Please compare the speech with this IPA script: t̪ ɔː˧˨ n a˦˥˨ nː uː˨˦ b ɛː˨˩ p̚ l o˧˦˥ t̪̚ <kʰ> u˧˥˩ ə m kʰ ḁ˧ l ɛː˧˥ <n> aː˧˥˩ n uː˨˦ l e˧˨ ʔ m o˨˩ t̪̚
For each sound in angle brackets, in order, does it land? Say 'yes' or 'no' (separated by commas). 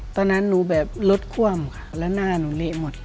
yes, yes